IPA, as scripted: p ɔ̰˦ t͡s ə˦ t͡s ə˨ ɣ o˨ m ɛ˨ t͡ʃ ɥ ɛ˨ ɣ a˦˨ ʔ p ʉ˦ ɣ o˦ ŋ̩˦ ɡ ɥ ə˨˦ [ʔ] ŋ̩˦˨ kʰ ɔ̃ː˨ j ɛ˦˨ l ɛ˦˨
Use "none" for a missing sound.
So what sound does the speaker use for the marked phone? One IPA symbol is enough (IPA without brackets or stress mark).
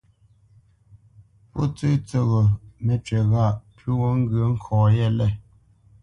none